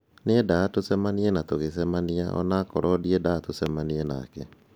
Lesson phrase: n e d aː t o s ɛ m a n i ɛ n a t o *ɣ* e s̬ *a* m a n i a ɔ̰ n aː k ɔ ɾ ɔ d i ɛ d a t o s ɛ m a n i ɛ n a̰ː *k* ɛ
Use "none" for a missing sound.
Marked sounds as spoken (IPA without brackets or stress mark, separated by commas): ɣ, ɛ, k